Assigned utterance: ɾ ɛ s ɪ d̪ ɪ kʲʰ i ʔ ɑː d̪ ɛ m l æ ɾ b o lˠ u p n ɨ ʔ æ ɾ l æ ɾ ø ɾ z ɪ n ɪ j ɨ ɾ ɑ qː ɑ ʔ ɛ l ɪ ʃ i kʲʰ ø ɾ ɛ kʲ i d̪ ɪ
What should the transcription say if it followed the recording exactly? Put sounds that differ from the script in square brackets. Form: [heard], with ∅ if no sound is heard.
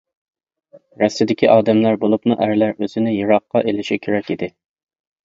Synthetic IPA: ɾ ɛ s ɪ d̪ ɪ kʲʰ i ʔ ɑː d̪ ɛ m l æ ɾ b o lˠ u p n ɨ ʔ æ ɾ l æ ɾ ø [∅] z ɪ n ɪ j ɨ ɾ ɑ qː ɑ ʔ [e] l ɪ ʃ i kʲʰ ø ɾ ɛ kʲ i d̪ ɪ